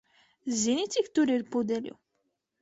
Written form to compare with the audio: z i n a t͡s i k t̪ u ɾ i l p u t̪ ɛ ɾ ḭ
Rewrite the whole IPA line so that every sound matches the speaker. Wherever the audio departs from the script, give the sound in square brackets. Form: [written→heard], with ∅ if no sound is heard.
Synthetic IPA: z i n [a→i] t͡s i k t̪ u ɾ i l p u [t̪→d̪] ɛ [ɾ→l] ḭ